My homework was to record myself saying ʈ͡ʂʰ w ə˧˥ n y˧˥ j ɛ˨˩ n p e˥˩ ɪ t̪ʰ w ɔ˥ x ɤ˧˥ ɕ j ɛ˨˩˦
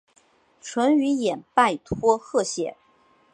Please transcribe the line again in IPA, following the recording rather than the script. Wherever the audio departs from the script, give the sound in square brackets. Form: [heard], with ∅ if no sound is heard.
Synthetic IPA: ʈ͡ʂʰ w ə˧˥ n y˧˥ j ɛ˨˩ n p [a˥˩] ɪ t̪ʰ w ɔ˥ x [ɤ˥˩] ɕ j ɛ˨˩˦